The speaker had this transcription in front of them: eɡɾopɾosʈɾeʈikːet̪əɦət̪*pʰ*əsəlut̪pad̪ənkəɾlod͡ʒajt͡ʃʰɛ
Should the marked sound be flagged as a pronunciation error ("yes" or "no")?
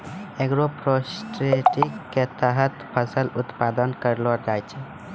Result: no